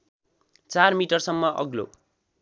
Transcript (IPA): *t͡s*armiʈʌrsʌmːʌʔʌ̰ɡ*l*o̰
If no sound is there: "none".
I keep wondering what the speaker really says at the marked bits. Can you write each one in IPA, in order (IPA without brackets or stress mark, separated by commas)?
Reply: t͡s, l